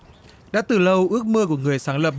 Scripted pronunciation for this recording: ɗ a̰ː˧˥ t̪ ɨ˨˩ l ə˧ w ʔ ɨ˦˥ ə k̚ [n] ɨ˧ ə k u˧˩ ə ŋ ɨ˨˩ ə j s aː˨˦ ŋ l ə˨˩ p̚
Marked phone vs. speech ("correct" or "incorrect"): incorrect